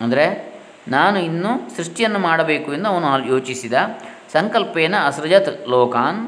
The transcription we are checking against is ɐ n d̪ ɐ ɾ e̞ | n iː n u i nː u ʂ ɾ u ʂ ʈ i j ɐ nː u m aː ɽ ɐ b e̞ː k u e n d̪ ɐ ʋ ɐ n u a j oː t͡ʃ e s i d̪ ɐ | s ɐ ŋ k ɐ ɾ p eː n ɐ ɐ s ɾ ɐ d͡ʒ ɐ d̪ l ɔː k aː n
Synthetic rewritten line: ɐ n d̪ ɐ ɾ e̞ | n aː n u i nː u s ɾ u ʂ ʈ i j ɐ nː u m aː ɽ ɐ b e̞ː k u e n d̪ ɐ ʋ ɐ n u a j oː t͡ʃ i s i d̪ ɐ | s ɐ ŋ k ɐ l p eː n ɐ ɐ s ɾ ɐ d͡ʒ ɐ t̪ l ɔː k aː n